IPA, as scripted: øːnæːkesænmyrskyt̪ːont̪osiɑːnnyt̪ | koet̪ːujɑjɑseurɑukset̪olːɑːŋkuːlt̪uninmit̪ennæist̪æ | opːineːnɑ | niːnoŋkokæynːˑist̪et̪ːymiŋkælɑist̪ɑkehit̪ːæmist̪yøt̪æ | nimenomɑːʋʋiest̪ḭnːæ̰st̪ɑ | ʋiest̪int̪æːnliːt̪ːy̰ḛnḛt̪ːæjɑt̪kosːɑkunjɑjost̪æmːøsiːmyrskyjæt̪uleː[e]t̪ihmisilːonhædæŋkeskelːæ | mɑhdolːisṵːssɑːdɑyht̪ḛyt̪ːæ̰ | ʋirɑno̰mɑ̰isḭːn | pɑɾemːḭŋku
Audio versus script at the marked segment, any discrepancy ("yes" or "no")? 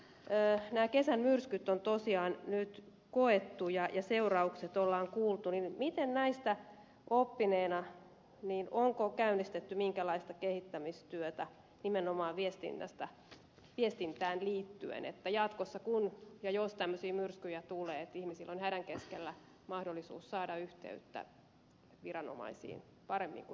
no